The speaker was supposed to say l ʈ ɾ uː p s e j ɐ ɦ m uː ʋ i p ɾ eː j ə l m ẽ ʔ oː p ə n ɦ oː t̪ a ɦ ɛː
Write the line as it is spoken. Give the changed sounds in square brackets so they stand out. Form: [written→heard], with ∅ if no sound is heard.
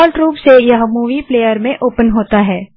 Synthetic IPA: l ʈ ɾ uː p s e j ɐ ɦ m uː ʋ i p [ɾ→l] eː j ə [l→ɾ] m ẽ ʔ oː p ə n ɦ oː t̪ a ɦ ɛː